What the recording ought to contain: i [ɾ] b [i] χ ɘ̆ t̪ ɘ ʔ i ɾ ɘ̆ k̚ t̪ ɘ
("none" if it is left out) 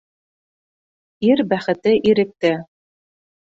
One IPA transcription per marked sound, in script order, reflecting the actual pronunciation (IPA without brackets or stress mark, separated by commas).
ɾ, æ